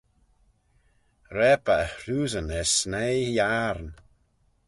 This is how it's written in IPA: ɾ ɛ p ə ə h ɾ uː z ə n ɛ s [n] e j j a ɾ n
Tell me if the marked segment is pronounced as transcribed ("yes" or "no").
yes